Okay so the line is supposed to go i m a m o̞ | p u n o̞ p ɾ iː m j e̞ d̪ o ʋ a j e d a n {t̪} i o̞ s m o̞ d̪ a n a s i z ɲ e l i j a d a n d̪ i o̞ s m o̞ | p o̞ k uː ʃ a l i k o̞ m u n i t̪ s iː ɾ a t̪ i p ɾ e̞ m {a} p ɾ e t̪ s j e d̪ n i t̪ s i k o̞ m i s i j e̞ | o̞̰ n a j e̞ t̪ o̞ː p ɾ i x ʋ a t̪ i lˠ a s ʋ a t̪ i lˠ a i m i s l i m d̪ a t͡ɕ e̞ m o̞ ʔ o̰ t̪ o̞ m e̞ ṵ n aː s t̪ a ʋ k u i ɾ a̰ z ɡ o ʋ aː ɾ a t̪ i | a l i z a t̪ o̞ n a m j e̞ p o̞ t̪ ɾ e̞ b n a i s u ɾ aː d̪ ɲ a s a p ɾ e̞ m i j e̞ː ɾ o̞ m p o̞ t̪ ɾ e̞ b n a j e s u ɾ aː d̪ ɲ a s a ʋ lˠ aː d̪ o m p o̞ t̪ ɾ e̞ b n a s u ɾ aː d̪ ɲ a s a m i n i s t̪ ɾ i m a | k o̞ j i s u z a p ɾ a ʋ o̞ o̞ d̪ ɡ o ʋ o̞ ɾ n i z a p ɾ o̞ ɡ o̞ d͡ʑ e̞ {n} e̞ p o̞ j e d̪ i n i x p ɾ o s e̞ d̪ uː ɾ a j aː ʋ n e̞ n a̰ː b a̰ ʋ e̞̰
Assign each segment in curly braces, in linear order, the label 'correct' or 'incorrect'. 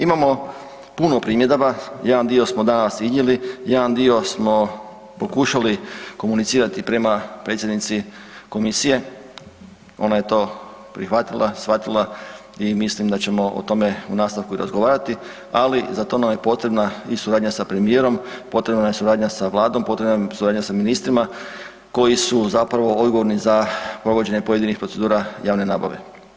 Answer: incorrect: d̪, correct, incorrect: ɲ

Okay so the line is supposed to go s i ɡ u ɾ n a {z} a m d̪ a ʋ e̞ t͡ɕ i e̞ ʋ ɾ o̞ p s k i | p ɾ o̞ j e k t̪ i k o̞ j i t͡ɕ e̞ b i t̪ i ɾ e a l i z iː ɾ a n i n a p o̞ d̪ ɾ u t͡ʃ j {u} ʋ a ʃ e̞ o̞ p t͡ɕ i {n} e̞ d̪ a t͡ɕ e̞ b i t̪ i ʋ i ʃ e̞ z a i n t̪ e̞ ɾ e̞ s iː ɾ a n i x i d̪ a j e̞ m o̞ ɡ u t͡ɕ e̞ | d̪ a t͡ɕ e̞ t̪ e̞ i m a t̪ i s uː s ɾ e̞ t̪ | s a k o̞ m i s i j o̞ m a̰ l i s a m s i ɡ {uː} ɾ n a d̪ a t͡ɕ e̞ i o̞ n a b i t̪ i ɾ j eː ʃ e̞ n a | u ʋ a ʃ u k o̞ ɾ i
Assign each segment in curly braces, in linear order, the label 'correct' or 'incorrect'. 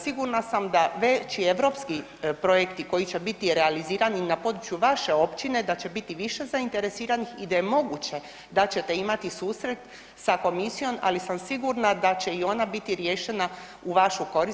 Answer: incorrect: s, correct, correct, incorrect: u

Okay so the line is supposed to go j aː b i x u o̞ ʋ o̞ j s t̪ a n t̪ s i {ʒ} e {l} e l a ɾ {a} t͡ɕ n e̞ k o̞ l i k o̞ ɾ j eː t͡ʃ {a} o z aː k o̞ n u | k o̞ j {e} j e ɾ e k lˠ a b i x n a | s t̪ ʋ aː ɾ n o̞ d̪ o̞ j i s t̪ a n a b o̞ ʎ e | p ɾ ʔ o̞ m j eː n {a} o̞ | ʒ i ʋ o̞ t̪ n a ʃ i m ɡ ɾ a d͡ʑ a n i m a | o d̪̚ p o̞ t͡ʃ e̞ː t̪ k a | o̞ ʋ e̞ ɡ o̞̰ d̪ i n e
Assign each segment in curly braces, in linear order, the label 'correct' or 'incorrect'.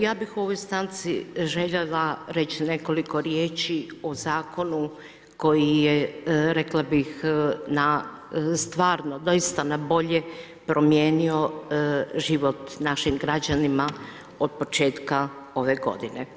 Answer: correct, incorrect: ʎ, incorrect: e, incorrect: i, incorrect: i, incorrect: i

